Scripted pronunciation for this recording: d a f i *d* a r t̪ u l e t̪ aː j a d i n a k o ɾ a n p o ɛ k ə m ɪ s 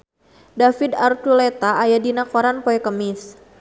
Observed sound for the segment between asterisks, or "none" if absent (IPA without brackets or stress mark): d